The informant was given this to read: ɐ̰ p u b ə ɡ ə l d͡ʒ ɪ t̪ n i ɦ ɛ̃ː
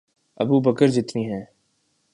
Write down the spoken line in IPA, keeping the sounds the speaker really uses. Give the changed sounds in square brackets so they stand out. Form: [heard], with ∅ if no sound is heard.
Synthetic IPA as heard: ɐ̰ [b] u b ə [k] ə [ɾ] d͡ʒ ɪ t̪ n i ɦ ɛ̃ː

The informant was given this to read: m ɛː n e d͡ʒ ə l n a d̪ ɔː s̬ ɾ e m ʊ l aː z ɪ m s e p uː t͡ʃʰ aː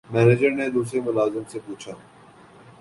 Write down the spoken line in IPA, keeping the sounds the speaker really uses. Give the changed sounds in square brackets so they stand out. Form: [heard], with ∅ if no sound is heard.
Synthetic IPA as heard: m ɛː n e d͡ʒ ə [ɾ] n [e] d̪ [uː] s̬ ɾ e m ʊ l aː z ɪ m s e p uː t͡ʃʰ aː

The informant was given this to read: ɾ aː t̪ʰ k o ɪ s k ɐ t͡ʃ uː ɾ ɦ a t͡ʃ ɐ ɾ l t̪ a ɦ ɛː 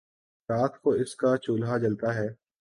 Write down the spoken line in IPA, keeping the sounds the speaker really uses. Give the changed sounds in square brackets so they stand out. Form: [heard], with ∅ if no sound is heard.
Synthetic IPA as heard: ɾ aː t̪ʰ k o ɪ s k [a] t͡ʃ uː [l] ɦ a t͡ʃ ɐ [∅] l t̪ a ɦ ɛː

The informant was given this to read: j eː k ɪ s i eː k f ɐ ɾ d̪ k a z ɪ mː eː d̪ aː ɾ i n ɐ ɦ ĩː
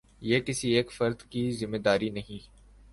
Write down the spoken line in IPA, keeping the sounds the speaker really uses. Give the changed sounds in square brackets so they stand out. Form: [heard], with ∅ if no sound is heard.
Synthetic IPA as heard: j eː k ɪ s i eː k f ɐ ɾ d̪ k [i] z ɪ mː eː d̪ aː ɾ i n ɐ ɦ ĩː

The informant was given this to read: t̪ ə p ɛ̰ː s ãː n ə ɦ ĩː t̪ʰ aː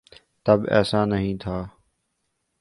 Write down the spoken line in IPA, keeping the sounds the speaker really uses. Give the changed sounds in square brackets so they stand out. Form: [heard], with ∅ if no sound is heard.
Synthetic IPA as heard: t̪ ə [b] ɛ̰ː s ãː n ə ɦ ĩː t̪ʰ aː

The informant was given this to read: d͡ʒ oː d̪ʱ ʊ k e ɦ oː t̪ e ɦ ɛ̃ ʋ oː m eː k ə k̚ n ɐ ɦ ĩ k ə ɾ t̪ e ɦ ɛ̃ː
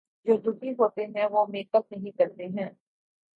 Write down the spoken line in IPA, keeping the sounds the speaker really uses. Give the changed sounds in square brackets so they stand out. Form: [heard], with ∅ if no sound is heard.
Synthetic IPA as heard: d͡ʒ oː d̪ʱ ʊ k [i] ɦ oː t̪ e ɦ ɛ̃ ʋ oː m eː k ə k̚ n ɐ ɦ ĩ k [ɐ] ɾ t̪ e ɦ ɛ̃ː

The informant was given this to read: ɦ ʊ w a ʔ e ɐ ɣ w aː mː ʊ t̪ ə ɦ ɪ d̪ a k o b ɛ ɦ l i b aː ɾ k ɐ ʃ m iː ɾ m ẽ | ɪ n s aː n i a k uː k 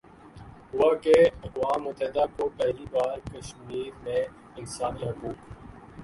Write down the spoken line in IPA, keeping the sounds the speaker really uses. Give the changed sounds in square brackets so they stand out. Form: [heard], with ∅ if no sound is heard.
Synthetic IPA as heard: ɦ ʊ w a [k] e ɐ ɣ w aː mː ʊ t̪ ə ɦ ɪ d̪ a k o [p] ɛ ɦ l i b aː ɾ k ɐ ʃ m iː ɾ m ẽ | ɪ n s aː n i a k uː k

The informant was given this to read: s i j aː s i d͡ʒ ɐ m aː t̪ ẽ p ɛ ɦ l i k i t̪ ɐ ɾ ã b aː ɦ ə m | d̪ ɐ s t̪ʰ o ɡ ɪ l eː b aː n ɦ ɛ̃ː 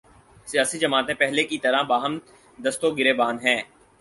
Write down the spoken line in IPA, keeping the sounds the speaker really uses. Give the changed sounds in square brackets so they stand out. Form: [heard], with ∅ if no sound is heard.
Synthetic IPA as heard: s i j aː s i d͡ʒ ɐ m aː t̪ ẽ p ɛ ɦ l [e] k i t̪ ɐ ɾ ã b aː ɦ ə m | d̪ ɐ s [t̪] o ɡ ɪ [ɾ] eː b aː n ɦ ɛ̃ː

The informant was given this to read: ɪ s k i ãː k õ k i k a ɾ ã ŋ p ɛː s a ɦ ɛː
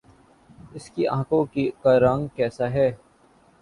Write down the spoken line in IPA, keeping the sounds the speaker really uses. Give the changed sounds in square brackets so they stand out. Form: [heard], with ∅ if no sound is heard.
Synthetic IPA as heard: ɪ s k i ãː k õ k i k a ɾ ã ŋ [k] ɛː s a ɦ ɛː

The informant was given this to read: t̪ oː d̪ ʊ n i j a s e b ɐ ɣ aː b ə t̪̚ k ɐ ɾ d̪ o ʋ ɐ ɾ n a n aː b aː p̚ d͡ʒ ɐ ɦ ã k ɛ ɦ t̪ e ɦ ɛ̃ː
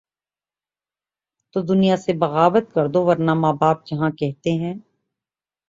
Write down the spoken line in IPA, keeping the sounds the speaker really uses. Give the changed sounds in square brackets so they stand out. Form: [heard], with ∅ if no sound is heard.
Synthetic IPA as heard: t̪ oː d̪ ʊ n i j a s e b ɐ ɣ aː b ə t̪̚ k ɐ ɾ d̪ o ʋ ɐ ɾ n a [m] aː b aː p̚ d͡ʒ ɐ ɦ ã k ɛ ɦ t̪ e ɦ ɛ̃ː

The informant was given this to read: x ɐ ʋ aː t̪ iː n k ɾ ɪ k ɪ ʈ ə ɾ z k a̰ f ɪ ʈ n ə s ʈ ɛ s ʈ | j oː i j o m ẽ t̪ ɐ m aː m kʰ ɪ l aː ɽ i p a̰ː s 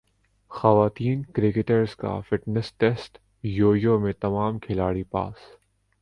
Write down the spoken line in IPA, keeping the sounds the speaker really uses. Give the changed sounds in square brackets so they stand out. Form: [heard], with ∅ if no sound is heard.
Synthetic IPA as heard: x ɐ ʋ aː t̪ iː n k ɾ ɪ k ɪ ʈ ə ɾ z k a̰ f ɪ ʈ n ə s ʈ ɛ s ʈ | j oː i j o m ẽ t̪ ɐ m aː m kʰ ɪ l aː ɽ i p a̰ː s

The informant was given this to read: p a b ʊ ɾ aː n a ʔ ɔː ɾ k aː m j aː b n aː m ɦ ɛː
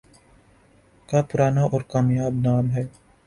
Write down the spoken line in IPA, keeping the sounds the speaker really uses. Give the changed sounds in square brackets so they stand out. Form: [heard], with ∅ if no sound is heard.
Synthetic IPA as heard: [k] a [p] ʊ ɾ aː n a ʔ ɔː ɾ k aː m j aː b n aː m ɦ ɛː

